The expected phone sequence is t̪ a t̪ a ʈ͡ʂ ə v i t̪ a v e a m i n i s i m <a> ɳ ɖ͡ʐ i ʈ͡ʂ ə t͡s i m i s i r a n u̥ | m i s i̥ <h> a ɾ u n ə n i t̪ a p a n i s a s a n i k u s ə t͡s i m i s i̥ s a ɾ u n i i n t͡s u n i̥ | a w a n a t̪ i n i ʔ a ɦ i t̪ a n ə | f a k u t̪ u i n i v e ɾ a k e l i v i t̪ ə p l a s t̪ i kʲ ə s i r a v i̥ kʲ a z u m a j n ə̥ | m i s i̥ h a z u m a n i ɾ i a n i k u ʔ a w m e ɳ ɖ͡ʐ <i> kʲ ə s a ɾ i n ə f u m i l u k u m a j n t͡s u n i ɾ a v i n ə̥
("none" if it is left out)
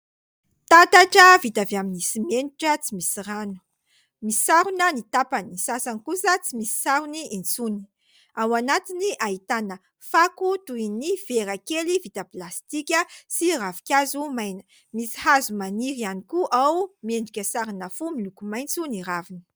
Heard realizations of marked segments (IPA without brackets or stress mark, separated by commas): e, s, i